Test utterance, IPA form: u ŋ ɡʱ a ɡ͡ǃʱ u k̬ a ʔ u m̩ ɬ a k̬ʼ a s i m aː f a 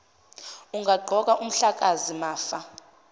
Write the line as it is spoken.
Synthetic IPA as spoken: u ŋ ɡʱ a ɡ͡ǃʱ ɔ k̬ a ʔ u m̩ ɬ a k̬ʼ a z i m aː f a